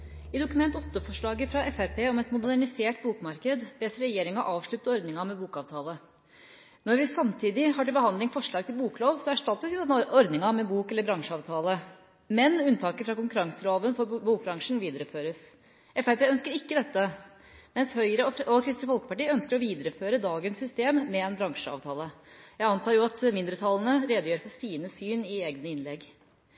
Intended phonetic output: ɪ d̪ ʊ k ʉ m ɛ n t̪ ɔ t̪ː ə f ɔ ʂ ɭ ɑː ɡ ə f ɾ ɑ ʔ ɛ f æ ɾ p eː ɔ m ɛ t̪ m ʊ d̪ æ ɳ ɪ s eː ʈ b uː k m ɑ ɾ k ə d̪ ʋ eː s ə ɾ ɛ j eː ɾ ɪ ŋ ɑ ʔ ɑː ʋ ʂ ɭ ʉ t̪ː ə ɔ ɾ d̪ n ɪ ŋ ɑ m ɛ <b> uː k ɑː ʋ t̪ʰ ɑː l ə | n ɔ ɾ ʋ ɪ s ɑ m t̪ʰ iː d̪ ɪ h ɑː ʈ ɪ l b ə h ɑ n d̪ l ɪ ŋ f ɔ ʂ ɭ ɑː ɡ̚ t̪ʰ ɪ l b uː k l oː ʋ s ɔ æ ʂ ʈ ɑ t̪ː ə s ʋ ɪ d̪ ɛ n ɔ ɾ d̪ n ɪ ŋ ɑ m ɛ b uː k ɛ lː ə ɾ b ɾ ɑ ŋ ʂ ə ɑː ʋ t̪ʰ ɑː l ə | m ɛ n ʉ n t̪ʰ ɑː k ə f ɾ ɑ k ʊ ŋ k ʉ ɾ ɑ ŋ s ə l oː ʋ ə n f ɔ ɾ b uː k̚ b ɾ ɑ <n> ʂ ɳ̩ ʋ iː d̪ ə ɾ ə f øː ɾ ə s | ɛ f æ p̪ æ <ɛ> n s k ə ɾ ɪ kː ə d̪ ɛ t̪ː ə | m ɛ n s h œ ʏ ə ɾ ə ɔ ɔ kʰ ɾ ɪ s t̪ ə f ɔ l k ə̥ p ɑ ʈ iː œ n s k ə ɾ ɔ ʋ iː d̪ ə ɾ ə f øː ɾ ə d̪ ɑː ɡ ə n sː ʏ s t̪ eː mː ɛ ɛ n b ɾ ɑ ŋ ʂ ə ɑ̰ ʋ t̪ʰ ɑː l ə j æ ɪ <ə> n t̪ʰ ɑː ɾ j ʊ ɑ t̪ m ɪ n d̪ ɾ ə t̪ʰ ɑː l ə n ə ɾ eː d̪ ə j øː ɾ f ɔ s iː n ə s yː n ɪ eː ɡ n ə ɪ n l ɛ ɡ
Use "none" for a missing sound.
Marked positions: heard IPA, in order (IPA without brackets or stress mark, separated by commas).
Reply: b, ŋ, œ, ɑ